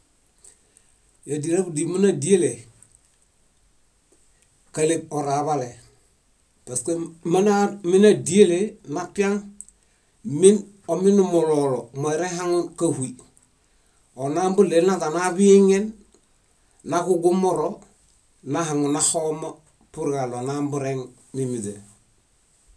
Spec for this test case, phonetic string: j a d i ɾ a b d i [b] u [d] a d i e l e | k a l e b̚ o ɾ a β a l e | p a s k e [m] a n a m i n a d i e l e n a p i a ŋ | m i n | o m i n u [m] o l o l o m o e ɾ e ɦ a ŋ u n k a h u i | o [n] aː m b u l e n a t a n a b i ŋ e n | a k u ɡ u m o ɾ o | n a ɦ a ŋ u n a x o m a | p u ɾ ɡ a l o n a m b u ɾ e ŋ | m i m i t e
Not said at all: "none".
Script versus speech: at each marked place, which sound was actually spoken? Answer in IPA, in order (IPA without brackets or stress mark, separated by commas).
m, n, m, m, n